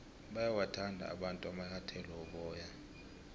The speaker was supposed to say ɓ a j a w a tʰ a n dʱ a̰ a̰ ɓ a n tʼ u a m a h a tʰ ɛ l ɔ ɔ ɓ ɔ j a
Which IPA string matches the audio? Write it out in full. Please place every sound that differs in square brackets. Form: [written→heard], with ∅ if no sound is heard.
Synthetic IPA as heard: ɓ a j a w a tʰ a n dʱ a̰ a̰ ɓ a n tʼ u a m a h a tʰ ɛ l ɔ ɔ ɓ [ɔ→ɔː] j a